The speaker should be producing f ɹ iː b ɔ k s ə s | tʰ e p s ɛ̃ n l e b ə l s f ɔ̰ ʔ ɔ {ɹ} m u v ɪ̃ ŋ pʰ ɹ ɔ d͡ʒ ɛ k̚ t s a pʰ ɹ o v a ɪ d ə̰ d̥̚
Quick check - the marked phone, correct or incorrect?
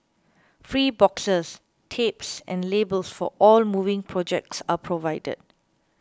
incorrect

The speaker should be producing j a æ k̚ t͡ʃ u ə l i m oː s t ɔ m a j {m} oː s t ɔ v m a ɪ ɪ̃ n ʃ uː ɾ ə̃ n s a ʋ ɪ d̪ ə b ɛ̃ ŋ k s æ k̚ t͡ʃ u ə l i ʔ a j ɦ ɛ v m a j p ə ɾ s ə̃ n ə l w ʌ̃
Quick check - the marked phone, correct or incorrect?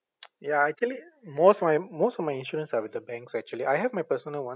correct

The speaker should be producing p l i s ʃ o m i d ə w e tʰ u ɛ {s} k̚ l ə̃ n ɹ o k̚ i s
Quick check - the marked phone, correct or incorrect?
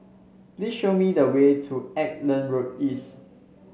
incorrect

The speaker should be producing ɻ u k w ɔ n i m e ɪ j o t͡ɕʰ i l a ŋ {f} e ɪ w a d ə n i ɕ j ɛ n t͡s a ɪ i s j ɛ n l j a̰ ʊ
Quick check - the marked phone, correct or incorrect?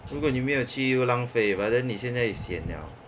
correct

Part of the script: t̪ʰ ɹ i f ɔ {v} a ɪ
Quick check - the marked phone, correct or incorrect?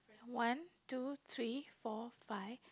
incorrect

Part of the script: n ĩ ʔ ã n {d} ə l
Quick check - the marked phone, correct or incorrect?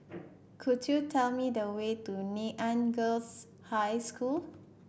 incorrect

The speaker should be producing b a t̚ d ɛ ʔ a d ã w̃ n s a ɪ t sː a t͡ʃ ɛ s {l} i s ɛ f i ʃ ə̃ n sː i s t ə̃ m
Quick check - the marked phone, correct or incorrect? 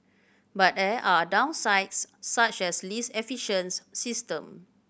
correct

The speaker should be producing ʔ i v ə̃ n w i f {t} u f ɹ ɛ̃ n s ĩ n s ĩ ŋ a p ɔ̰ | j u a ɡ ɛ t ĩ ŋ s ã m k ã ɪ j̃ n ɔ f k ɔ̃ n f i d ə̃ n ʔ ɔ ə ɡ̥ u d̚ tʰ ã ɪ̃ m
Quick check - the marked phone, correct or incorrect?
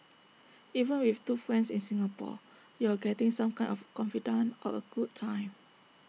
correct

